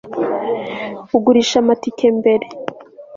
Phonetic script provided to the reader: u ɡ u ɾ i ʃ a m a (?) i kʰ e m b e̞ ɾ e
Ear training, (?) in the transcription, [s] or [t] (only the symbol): t